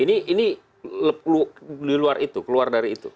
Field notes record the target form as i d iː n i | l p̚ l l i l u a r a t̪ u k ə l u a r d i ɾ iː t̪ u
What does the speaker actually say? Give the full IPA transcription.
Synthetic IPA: i n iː n i | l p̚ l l i l u a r i t̪ u k ə l u a r d a ɾ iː t̪ u